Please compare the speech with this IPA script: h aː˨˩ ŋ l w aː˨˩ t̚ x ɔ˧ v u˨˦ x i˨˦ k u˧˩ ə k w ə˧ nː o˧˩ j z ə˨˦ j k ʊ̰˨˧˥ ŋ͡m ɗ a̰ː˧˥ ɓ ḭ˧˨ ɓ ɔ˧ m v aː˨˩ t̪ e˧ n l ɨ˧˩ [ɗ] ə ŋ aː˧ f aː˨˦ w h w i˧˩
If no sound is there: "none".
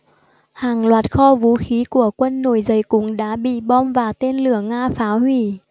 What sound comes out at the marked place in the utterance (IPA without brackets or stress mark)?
none